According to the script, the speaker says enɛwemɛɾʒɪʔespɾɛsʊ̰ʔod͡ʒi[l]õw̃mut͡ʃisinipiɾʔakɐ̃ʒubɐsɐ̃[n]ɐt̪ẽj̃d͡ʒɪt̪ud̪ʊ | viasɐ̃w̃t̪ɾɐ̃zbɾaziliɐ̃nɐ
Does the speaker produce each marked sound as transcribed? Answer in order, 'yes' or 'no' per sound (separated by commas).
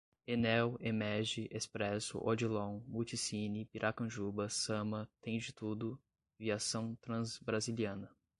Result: yes, no